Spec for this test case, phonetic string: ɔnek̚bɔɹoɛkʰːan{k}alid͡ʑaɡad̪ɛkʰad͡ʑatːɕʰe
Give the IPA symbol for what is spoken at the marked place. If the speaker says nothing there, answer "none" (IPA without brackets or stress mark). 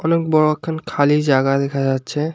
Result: kʰ